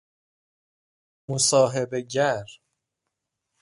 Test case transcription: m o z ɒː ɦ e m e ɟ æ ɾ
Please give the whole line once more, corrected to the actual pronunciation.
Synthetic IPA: m o s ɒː ɦ e b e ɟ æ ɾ